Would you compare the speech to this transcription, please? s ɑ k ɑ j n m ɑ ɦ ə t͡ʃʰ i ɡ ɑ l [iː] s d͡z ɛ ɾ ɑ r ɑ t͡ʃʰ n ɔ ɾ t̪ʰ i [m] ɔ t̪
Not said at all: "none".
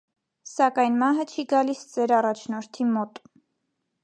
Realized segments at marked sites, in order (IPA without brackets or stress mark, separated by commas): i, m